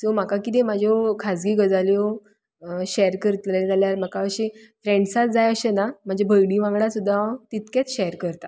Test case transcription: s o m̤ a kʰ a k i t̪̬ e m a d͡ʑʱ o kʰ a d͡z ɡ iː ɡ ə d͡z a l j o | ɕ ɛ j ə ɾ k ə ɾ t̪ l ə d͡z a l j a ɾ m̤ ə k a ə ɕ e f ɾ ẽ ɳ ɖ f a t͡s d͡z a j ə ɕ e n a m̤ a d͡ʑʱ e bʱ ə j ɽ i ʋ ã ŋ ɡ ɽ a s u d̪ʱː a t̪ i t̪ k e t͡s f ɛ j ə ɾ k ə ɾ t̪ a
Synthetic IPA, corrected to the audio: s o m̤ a k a k i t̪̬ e m a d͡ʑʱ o kʰ a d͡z ɡ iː ɡ ə d͡z a l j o | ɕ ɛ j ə ɾ k ə ɾ t̪ l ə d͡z a l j a ɾ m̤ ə k a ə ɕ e f ɾ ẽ ɳ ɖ s a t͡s d͡z a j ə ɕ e n a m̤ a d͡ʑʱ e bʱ ə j ɽ i ʋ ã ŋ ɡ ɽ a s u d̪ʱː a t̪ i t̪ k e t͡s ɕ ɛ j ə ɾ k ə ɾ t̪ a